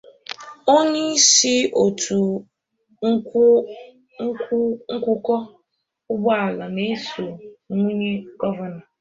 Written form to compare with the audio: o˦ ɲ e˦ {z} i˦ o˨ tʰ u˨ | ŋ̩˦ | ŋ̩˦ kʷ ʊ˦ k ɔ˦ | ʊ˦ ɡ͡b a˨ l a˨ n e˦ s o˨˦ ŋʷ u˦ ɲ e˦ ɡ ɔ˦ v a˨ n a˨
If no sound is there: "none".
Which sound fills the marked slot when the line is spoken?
s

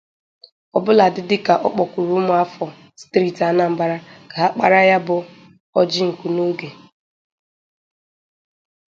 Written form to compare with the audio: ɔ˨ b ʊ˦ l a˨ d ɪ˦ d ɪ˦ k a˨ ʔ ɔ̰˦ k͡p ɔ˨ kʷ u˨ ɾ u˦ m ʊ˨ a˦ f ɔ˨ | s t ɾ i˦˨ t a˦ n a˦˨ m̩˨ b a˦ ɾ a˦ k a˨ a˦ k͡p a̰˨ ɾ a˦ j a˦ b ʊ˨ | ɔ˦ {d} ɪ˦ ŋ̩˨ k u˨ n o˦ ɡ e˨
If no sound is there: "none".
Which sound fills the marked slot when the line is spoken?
d͡ʒ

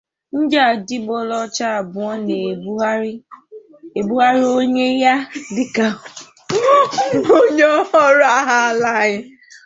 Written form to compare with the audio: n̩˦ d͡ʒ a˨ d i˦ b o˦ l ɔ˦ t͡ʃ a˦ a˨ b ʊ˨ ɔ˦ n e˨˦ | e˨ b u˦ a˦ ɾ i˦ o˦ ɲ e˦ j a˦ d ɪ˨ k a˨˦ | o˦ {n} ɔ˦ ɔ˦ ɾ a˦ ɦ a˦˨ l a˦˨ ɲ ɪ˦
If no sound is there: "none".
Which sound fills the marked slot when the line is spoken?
ɲ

